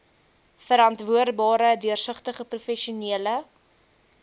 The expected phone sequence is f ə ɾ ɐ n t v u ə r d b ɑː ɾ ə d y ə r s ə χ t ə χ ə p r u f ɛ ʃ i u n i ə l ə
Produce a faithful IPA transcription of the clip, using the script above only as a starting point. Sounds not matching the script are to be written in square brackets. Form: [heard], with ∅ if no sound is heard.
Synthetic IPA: f ə ɾ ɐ n t v u ə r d b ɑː ɾ ə d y ə r s ə χ t ə χ ə p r u f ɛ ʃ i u n i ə l ə